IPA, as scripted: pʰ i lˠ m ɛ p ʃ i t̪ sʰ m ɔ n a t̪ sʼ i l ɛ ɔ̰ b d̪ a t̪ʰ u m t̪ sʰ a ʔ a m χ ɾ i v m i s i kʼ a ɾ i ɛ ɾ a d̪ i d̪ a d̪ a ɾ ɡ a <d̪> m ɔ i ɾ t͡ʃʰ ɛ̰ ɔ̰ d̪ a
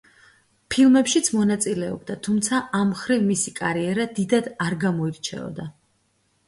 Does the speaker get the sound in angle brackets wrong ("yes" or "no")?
yes